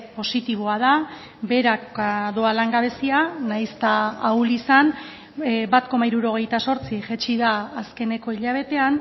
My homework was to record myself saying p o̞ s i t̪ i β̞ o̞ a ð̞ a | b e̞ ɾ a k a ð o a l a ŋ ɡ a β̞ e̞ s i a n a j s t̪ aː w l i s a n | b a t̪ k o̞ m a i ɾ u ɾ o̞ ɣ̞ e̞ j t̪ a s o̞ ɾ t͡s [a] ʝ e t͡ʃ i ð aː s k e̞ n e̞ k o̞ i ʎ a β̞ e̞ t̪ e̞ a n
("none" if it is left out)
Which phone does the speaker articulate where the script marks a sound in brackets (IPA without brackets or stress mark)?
i